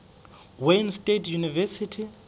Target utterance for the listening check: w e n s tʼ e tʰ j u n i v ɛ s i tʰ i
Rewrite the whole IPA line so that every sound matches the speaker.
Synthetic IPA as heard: w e n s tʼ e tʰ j u n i v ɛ s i tʰ i